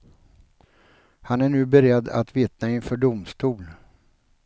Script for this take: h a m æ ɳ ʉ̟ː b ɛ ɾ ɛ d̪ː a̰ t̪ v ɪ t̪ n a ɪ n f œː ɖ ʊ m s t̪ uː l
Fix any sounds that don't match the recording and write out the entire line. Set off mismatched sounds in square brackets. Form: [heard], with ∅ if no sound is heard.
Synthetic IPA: h a [n] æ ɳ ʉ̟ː b ɛ ɾ ɛ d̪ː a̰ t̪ v ɪ t̪ n a ɪ n f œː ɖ ʊ m s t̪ uː l